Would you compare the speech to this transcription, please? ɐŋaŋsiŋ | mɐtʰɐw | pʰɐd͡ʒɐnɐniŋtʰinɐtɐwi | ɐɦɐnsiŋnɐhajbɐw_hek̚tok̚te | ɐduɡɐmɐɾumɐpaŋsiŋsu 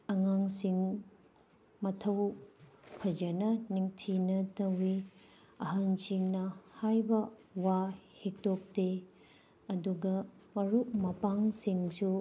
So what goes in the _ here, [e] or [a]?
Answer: a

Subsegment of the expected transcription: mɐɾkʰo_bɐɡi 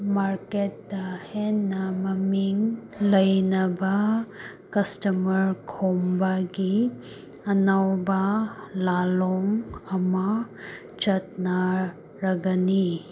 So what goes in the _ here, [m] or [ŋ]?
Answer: m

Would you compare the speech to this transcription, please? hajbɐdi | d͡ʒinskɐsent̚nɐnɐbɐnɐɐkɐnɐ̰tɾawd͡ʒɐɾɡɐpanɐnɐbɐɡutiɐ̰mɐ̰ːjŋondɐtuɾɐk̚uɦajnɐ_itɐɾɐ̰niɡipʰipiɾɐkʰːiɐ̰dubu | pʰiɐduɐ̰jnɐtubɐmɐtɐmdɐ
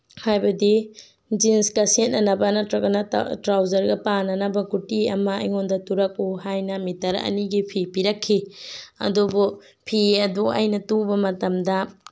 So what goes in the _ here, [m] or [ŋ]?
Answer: m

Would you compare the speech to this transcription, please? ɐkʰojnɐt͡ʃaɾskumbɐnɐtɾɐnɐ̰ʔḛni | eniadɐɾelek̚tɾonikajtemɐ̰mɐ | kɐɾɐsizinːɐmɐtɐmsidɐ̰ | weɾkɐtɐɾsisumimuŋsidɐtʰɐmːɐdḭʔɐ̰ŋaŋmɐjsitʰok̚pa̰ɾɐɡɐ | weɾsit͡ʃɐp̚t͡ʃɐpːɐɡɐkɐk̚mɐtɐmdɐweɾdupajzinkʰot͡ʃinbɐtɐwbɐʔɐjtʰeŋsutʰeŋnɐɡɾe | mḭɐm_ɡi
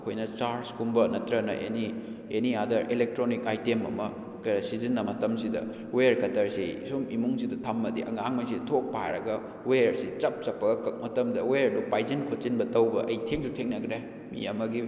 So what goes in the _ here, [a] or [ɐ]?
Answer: ɐ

